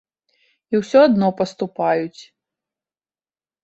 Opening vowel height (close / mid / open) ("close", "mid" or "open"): close